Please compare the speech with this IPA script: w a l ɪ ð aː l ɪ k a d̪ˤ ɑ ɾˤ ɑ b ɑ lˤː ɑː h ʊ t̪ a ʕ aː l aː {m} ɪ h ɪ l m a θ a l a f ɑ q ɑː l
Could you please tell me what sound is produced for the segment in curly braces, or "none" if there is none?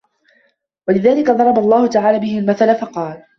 b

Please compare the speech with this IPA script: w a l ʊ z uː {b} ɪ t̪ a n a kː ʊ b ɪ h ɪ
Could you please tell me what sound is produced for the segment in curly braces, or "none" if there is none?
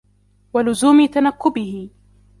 m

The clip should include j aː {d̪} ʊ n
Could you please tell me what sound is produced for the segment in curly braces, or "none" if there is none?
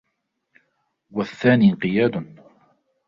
d̪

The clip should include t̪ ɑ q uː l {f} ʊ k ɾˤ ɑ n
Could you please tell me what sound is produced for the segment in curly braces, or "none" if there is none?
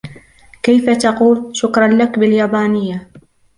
ʃ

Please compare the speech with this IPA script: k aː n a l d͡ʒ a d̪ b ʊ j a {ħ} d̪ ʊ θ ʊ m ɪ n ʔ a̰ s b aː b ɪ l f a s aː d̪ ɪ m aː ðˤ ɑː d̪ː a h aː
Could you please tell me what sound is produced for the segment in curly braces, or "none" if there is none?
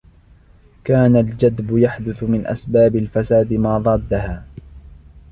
ħ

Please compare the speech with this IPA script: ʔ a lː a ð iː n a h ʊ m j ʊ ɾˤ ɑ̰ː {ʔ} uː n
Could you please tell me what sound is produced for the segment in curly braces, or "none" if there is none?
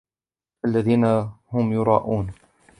ʔ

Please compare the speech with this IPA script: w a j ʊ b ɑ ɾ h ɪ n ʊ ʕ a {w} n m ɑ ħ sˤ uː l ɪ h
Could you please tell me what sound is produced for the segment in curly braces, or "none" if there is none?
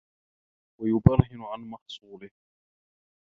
none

